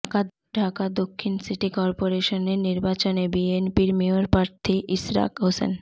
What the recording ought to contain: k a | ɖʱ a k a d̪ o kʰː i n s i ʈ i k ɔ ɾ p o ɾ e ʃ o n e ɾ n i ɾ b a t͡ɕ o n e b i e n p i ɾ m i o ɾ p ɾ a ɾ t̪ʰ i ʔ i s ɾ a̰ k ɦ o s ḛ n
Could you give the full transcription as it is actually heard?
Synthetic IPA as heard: k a | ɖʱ a k a d̪ o kʰː i n s i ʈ i k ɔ ɾ p o ɾ e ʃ o n e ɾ n i ɾ b a t͡ɕ o n e b i e n p i ɾ m i o ɾ p ɾ a ɾ t̪ʰ i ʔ i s ɾ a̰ k ɦ o s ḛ n